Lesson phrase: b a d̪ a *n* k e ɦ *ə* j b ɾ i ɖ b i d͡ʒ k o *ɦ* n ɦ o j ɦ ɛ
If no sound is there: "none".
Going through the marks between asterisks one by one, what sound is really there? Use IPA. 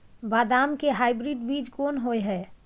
m, a, none

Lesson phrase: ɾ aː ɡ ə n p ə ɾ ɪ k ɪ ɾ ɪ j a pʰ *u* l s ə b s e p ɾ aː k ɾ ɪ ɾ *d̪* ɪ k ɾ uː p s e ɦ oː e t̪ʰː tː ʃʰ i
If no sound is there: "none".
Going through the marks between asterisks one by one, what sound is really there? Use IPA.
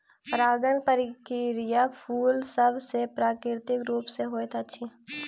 uː, t̪

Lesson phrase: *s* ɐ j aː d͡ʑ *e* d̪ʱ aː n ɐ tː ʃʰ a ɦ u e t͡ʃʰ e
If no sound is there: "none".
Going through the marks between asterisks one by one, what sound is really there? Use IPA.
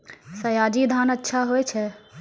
s, i

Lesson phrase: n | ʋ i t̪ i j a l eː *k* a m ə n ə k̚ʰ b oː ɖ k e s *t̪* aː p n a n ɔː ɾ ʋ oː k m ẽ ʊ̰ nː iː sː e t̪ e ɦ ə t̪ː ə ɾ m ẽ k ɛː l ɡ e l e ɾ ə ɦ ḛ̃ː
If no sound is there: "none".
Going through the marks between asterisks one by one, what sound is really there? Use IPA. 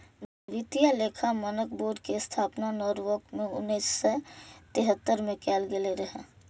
kʰ, t̪ʰ

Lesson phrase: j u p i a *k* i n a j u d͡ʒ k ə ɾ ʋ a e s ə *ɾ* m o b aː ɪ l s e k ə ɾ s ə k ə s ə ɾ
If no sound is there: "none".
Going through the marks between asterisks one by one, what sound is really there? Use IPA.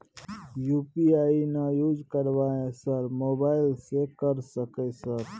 none, ɾ

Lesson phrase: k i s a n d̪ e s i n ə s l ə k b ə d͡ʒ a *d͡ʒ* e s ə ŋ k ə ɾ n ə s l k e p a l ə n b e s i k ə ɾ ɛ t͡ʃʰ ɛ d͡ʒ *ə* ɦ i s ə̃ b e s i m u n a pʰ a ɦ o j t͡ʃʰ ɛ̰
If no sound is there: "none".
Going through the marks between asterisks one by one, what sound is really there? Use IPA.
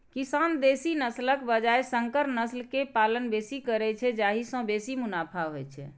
none, a

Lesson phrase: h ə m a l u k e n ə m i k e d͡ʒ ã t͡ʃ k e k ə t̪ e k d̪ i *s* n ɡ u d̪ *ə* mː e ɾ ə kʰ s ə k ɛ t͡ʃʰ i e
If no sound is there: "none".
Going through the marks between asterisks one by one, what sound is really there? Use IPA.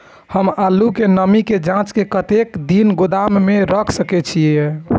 none, a

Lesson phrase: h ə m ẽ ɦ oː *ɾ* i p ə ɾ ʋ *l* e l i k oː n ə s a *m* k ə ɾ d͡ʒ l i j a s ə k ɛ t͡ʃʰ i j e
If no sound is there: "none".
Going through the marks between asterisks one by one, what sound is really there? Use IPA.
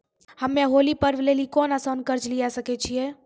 l, l, n

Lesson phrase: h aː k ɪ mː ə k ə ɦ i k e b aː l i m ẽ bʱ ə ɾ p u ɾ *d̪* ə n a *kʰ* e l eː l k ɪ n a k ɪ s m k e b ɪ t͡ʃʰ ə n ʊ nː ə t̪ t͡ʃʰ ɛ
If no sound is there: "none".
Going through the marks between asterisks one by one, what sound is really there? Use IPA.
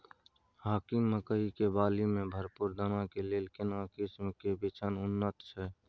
d̪, k

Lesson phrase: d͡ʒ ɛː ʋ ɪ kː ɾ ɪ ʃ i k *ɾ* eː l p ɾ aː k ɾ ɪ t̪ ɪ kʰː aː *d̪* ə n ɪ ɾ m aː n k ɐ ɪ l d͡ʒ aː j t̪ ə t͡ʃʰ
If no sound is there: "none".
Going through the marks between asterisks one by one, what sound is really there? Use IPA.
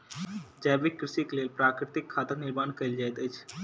l, t̪

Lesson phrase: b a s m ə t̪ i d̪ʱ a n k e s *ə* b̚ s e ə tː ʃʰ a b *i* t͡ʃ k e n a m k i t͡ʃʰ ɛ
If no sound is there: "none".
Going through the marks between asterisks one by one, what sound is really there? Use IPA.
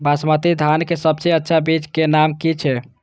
ə, i

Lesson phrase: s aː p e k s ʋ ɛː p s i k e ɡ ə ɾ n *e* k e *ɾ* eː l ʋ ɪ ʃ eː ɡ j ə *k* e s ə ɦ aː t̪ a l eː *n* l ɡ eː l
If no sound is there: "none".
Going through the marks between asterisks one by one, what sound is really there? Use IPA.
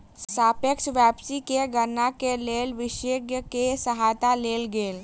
a, l, k, none

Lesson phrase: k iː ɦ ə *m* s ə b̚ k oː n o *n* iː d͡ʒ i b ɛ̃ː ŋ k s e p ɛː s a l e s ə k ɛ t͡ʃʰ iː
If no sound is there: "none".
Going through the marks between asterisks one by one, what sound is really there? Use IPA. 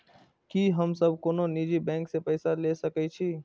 m, n

